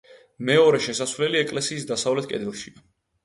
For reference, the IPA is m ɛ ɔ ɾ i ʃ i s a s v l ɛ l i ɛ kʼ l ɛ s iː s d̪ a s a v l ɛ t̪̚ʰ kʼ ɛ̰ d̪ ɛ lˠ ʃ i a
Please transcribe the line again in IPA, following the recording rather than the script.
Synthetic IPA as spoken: m ɛ ɔ ɾ ɛ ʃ ɛ s a s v l ɛ l i ɛ kʼ l ɛ s iː s d̪ a s a v l ɛ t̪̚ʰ kʼ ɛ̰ d̪ ɛ lˠ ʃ i a

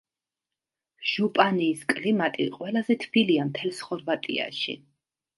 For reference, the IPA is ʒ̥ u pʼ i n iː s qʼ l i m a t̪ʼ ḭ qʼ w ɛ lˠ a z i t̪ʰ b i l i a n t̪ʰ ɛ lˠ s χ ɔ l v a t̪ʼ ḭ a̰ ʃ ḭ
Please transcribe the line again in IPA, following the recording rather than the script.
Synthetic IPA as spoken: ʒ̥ u pʼ a n iː s kʼ l i m a t̪ʼ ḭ qʼ w ɛ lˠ a z ɛ t̪ʰ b i l i a m t̪ʰ ɛ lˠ s χ ɔ ɾ v a t̪ʼ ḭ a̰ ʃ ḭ

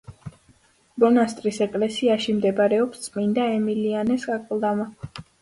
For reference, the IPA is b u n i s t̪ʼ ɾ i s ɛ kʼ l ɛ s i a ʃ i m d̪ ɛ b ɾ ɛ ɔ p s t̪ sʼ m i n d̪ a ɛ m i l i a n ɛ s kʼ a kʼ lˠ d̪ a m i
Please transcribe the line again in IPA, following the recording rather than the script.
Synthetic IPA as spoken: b ɔ n a s t̪ʼ ɾ i s ɛ kʼ l ɛ s i a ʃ i m d̪ ɛ b ɾ ɛ ɔ p s t̪ sʼ m i n d̪ a ɛ m i l i a n ɛ s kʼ a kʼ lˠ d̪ a m a

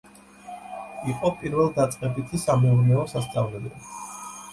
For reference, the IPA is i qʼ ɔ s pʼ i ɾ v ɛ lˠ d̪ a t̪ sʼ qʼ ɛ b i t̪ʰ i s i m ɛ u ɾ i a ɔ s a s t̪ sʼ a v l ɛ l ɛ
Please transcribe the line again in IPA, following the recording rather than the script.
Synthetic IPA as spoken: i qʼ ɔ pʼ i ɾ v ɛ lˠ d̪ a t̪ sʼ qʼ ɛ b i t̪ʰ i s a m ɛ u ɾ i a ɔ s a s t̪ sʼ a v l ɛ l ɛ

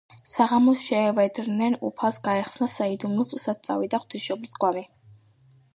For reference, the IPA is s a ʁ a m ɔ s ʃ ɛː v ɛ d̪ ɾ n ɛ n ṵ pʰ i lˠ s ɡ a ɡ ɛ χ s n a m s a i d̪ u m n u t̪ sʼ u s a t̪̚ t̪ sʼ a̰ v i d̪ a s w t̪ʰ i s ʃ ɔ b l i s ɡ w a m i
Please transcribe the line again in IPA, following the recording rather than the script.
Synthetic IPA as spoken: s a ʁ a m ɔ s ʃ ɛː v ɛ d̪ ɾ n ɛ n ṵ pʰ a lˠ s ɡ a ɛ χ s n a s a i d̪ u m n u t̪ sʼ u s a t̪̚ t̪ sʼ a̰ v i d̪ a χ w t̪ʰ i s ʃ ɔ b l i s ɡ w a m i

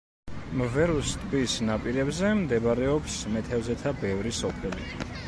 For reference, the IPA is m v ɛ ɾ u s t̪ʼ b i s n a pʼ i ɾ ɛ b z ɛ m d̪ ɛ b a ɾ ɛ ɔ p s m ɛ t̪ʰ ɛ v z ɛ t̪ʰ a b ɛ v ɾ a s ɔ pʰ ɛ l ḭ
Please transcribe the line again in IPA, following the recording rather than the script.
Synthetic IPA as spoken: m v ɛ ɾ u s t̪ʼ b i s n a pʼ i ɾ ɛ b z ɛ m d̪ ɛ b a ɾ ɛ ɔ p s m ɛ t̪ʰ ɛ v z ɛ t̪ʰ a b ɛ v ɾ i s ɔ pʰ ɛ l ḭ

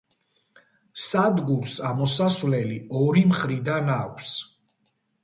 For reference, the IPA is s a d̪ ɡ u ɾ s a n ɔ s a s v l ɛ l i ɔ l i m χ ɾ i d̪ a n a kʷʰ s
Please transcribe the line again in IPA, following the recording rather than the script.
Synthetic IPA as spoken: s a d̪ ɡ u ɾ s a m ɔ s a s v l ɛ l i ɔ ɾ i m χ ɾ i d̪ a n a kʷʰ s

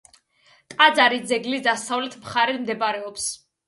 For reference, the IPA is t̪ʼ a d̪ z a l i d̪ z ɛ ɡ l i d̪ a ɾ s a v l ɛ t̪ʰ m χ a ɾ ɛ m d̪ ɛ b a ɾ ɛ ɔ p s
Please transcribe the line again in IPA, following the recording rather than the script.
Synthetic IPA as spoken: t̪ʼ a d̪ z a ɾ i d̪ z ɛ ɡ l i d̪ a s a v l ɛ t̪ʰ m χ a ɾ ɛ m d̪ ɛ b a ɾ ɛ ɔ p s

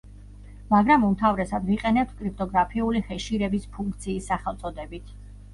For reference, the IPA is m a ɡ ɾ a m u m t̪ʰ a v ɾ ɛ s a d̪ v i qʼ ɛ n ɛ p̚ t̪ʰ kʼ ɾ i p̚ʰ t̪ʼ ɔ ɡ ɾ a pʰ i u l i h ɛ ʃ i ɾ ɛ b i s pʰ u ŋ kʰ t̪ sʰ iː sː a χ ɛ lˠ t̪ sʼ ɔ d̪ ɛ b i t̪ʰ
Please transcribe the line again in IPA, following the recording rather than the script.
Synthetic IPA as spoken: m a ɡ ɾ a m u m t̪ʰ a v ɾ ɛ s a d̪ v i qʼ ɛ n ɛ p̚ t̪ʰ kʼ ɾ i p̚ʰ t̪ʼ ɔ ɡ ɾ a pʰ i u l i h ɛ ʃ i ɾ ɛ b i s pʰ u ŋ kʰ t̪ sʰ iː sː a χ ɛ lˠ t̪ sʼ ɔ d̪ ɛ b i t̪ʰ

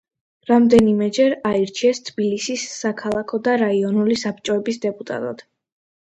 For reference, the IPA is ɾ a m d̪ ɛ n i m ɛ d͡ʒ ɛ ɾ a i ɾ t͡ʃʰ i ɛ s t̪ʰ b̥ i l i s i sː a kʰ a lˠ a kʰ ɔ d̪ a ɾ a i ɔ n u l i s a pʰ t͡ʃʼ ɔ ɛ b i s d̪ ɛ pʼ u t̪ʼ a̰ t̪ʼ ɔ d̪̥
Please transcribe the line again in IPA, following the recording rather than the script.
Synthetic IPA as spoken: ɾ a m d̪ ɛ n i m ɛ d͡ʒ ɛ ɾ a i ɾ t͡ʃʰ i ɛ s t̪ʰ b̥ i l i s i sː a kʰ a lˠ a kʰ ɔ d̪ a ɾ a i ɔ n u l i s a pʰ t͡ʃʼ ɔ ɛ b i s d̪ ɛ pʼ u t̪ʼ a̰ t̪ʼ ɔ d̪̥

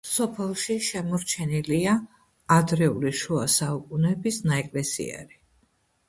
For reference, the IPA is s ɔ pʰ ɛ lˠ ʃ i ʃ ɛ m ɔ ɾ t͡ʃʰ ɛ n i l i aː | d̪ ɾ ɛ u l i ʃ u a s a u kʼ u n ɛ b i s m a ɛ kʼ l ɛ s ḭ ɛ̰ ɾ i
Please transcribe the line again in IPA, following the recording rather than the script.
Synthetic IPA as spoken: s ɔ pʰ ɛ lˠ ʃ i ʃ ɛ m ɔ ɾ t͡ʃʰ ɛ n i l i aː | d̪ ɾ ɛ u l i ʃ u a s a u kʼ u n ɛ b i s n a ɛ kʼ l ɛ s ḭ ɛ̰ ɾ i

